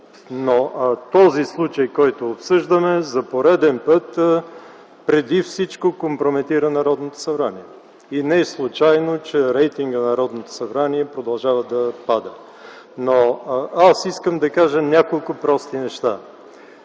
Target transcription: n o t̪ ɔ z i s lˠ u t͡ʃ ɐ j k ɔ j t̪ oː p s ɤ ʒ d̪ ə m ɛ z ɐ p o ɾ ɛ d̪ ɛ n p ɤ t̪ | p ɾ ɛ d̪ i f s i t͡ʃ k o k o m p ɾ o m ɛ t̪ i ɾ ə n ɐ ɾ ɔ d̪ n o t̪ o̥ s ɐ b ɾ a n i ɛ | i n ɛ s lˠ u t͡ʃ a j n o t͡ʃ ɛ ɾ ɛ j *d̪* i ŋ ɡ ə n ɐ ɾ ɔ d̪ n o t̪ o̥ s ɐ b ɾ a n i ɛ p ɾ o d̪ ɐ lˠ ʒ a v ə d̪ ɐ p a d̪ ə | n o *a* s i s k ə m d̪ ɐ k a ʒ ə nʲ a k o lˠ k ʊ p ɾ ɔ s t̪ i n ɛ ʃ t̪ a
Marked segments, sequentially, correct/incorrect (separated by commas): incorrect, correct